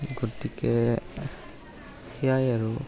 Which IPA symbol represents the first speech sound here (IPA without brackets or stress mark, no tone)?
ɡ